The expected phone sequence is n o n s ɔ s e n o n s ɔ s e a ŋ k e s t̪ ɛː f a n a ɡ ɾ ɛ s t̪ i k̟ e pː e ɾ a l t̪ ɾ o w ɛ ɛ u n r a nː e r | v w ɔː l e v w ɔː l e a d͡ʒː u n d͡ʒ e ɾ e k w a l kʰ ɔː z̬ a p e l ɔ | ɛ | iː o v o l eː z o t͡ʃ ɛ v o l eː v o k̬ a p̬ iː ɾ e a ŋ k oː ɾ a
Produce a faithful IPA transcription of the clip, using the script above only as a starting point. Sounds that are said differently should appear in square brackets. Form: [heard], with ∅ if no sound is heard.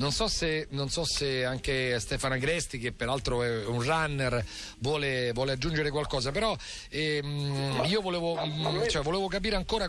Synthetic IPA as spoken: n o n s ɔ s e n o n s ɔ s e a ŋ k e s t̪ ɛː f a n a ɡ ɾ ɛ s t̪ i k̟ e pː e ɾ a l t̪ ɾ o [∅] ɛ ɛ u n r a nː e r | v w ɔː l e v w ɔː l e a d͡ʒː u n d͡ʒ e ɾ e k w a l [k] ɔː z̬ a p e [ɾ] ɔ | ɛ | iː o v o l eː [v] o t͡ʃ ɛ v o l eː v o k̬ a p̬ iː ɾ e a ŋ k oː ɾ a

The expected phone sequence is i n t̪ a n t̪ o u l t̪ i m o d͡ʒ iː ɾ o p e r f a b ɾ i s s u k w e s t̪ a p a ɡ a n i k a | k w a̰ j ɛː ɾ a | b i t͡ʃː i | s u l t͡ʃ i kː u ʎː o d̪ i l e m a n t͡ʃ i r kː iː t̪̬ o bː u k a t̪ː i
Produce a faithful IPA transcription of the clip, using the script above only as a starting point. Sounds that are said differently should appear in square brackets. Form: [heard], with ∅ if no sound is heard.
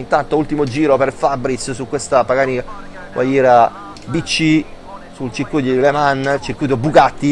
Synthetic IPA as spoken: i n t̪ a n t̪ o u l t̪ i m o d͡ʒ iː ɾ o p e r f a b ɾ i s s u k w e s t̪ a p a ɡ a n i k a | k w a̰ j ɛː ɾ a | b i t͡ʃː i | s u l t͡ʃ i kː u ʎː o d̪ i l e m a n t͡ʃ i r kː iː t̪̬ o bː u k a t̪ː i

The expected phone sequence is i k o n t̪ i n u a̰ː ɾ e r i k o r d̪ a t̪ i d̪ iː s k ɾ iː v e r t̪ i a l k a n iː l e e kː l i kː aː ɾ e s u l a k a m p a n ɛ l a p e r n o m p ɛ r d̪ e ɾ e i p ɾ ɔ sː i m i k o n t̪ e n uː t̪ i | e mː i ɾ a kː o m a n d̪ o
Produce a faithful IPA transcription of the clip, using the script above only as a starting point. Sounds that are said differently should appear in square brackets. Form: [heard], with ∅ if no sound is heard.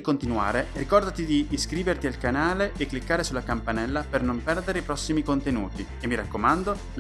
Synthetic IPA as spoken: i k o n t̪ i n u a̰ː ɾ e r i k [ɔ] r d̪ a t̪ i d̪ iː s k ɾ iː v e r t̪ i a l k a n [aː] l e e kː l i kː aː ɾ e s u l a k a m p a n ɛ [lː] a p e r n o m p ɛ r d̪ e ɾ e i p ɾ ɔ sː i m i k o n t̪ e n uː t̪ i | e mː i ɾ a kː o m a n d̪ o

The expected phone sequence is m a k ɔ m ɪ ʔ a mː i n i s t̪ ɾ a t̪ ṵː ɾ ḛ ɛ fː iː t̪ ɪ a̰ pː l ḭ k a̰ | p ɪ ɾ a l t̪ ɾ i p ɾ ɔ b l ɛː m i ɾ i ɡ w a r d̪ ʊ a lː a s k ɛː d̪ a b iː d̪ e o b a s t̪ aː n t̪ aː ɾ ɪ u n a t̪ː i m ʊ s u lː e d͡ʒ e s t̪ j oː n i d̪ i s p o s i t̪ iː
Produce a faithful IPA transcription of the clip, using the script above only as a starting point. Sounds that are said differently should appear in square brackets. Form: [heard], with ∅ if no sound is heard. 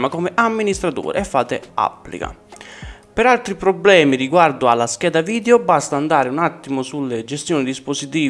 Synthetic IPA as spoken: m a k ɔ m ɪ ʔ a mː i n i s t̪ ɾ a t̪ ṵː ɾ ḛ ɛ fː [aː] t̪ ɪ a̰ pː l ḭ k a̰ | p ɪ ɾ a l t̪ ɾ i p ɾ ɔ b l ɛː m i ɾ i ɡ w a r d̪ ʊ a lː a s k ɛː d̪ a [v] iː d̪ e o b a s t̪ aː n [d̪] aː ɾ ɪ u n a t̪ː i m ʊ s u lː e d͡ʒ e s t̪ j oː n i d̪ i s p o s i t̪ iː

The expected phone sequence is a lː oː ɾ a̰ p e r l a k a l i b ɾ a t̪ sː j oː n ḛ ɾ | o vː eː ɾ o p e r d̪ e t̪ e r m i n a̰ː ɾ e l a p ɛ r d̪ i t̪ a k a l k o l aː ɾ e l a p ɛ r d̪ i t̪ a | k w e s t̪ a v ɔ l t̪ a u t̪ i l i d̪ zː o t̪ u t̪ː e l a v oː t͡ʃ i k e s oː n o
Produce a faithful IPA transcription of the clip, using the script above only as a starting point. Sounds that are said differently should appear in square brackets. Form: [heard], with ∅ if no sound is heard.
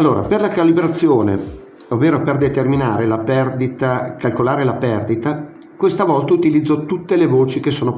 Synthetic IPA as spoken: a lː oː ɾ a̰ p e r l a k a l i b ɾ a t̪ sː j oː n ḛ [∅] | o vː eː ɾ o p e r d̪ e t̪ e r m i n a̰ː ɾ e l a p ɛ r d̪ i t̪ a k a l k o l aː ɾ e l a p ɛ r d̪ i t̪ a | k w e s t̪ a v ɔ l t̪ a u t̪ i l i d̪ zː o t̪ u t̪ː e l [e] v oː t͡ʃ i k e s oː n o

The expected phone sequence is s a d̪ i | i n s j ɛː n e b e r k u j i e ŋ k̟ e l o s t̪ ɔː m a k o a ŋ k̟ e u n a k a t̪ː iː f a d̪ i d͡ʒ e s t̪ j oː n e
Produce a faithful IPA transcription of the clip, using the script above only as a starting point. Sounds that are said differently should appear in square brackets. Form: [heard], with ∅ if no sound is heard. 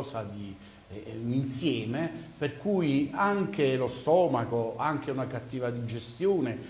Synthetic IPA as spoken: s a d̪ i | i n s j ɛː [m] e [p] e r k u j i [a] ŋ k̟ e l o s t̪ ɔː m a k o a ŋ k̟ e u n a k a t̪ː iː [v] a d̪ i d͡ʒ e s t̪ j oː n e

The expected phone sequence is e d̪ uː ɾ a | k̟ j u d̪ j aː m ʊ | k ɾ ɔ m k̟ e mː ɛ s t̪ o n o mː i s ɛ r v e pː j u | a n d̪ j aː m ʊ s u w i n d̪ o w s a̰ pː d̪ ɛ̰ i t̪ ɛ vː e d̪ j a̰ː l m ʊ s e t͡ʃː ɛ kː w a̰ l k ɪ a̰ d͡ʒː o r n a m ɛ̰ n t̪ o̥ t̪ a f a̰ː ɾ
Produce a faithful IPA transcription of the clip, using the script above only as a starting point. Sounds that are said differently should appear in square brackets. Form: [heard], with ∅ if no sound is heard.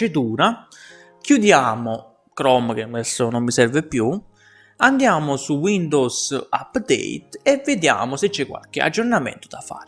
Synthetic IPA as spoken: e d̪ uː ɾ a | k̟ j u d̪ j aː m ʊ | k ɾ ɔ m k̟ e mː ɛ s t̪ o n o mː i s ɛ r v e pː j u | a n d̪ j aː m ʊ s u w i n d̪ o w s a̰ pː d̪ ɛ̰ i t̪ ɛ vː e d̪ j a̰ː [∅] m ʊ s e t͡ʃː ɛ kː w a̰ l k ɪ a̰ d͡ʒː o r n a m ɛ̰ n t̪ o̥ [d̪] a f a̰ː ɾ

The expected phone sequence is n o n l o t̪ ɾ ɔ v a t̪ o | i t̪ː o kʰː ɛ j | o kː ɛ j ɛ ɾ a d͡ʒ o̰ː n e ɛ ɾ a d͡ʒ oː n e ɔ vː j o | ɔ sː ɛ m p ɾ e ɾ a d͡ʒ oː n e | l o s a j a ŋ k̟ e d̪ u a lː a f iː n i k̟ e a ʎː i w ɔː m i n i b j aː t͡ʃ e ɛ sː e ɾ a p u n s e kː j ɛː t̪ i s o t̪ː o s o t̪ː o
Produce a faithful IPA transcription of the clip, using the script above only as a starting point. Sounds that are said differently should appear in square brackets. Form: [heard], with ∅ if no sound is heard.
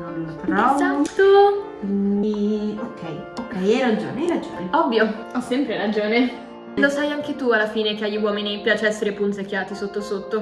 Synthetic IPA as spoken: n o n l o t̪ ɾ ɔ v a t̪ o | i [∅] o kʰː ɛ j | o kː ɛ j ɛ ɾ a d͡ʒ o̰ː n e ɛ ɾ a d͡ʒ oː n e ɔ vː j o | ɔ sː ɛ m p ɾ e ɾ a d͡ʒ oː n e | l o s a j a ŋ k̟ e [t̪] u a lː a f iː n [e] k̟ e a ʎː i w ɔː m i n i [p] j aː t͡ʃ e ɛ sː e ɾ [e] p u n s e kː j [aː] t̪ i s o t̪ː o s o t̪ː o

